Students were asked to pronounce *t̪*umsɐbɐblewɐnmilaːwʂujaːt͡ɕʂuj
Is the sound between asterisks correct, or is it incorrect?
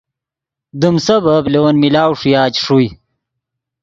incorrect: d̪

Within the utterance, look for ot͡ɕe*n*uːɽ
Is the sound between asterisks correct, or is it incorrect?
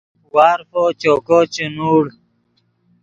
correct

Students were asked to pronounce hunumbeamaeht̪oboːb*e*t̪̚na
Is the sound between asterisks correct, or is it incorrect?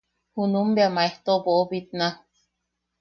incorrect: i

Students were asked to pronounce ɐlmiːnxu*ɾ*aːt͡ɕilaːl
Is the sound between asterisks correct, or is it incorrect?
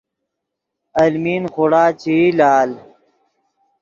incorrect: ɽ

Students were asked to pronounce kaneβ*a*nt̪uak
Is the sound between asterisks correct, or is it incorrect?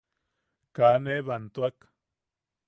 correct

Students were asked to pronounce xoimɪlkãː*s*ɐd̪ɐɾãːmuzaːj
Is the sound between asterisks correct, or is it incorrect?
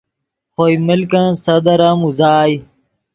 correct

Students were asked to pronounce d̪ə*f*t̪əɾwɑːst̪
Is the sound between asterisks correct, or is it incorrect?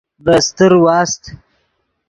incorrect: s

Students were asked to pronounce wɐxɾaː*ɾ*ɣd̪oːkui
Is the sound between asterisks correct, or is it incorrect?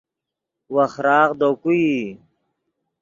incorrect: none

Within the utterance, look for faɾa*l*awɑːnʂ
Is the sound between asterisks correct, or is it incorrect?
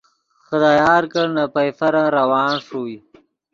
incorrect: ɾ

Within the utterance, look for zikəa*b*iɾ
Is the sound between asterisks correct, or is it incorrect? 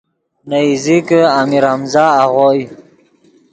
incorrect: m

